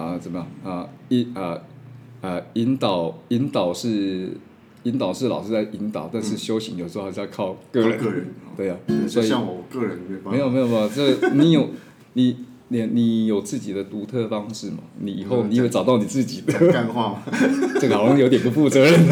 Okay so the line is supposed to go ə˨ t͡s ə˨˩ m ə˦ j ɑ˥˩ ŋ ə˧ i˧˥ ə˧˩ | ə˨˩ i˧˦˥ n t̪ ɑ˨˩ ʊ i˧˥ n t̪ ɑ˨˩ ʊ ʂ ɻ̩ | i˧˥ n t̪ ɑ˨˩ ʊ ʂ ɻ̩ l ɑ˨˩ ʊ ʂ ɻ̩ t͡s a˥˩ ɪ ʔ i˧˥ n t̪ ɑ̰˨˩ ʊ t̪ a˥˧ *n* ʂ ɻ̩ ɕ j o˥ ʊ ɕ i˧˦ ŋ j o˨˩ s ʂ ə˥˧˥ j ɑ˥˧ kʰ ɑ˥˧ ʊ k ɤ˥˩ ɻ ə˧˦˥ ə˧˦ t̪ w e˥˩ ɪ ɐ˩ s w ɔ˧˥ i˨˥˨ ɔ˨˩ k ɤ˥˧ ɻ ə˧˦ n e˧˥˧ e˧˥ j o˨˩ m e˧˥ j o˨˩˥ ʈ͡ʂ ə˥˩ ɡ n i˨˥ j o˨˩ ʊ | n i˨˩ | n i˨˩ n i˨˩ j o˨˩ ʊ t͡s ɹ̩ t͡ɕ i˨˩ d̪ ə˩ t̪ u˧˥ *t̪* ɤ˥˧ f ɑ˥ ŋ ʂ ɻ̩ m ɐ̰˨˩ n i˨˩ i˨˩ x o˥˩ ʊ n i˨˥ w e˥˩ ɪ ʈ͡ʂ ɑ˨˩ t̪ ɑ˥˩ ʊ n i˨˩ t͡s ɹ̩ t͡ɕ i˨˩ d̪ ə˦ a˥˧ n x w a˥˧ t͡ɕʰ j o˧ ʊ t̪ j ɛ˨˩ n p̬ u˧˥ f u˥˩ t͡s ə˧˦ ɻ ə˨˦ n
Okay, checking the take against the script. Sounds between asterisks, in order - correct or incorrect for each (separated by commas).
correct, incorrect